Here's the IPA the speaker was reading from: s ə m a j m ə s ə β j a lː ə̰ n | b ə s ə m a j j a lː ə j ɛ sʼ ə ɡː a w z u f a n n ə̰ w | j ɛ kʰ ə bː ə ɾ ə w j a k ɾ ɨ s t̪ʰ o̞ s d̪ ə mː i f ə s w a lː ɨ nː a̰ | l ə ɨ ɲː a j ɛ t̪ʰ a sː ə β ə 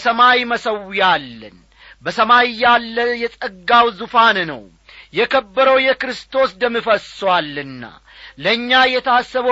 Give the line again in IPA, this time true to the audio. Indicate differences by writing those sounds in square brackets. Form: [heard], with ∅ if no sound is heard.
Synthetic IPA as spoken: s ə m a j m ə s ə [w] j a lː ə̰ n | b ə s ə m a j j a lː ə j ɛ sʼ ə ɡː a w z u f a n n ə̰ w | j ɛ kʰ ə bː ə ɾ ə w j [ɛ] k ɾ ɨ s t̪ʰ o̞ s d̪ ə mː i f ə s w a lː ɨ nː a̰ | l ə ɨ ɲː a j ɛ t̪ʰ a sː ə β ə